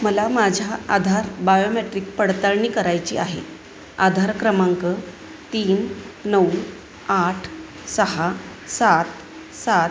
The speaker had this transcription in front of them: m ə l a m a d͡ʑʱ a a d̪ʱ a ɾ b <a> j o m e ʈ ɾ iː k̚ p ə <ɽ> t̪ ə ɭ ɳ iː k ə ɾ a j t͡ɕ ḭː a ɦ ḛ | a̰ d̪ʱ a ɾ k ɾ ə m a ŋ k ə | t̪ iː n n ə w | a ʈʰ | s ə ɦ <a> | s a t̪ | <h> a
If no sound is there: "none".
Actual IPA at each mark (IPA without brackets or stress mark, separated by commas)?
a, ɽ, a, s